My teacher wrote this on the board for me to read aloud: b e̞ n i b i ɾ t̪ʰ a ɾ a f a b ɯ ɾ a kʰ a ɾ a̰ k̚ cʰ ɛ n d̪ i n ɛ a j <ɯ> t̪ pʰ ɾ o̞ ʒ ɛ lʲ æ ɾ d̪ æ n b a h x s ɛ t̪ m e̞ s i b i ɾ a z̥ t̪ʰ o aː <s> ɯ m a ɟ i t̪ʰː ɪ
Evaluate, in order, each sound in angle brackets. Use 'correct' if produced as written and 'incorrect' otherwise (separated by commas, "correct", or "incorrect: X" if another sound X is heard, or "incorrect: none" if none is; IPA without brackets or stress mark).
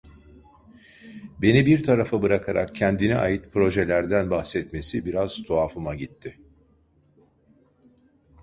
correct, incorrect: f